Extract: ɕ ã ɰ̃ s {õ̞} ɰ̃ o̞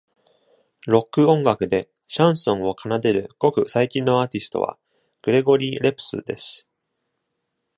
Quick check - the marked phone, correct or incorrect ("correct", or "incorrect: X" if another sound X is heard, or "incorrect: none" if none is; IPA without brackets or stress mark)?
correct